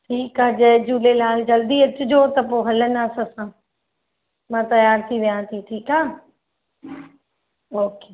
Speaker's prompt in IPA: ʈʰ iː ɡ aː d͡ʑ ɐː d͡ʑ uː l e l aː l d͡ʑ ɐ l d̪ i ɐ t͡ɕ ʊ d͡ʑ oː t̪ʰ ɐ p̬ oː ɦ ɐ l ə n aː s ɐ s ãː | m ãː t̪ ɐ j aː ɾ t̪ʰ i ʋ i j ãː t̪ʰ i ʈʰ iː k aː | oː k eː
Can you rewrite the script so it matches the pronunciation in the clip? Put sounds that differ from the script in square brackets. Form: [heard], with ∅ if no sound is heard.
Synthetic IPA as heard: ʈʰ iː [k] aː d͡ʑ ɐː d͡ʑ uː l e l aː l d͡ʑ ɐ l d̪ i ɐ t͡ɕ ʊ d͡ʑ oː [t̪] ɐ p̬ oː ɦ ɐ l ə n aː s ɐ s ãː | m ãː t̪ ɐ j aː ɾ t̪ʰ i ʋ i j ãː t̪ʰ i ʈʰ iː k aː | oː k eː